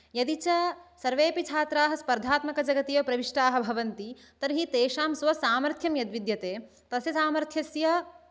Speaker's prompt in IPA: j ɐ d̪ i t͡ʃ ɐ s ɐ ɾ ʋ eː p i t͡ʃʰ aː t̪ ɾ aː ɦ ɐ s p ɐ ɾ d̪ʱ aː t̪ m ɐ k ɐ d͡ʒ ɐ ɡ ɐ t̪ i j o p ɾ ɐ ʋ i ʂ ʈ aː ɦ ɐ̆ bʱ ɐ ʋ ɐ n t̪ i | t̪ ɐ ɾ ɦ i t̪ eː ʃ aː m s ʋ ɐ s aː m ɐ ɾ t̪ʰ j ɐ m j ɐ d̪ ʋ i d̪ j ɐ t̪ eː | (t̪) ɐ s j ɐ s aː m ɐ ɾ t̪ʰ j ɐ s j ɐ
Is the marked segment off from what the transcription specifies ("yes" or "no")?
no